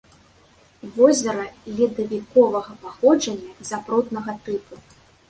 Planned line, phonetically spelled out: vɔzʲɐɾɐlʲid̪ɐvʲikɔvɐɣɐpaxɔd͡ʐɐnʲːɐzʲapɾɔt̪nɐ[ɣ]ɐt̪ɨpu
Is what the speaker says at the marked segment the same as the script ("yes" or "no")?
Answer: yes